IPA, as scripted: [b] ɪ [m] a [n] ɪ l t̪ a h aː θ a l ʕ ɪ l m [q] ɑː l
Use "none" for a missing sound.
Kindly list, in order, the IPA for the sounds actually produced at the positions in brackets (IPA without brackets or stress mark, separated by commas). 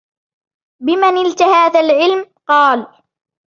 b, m, n, q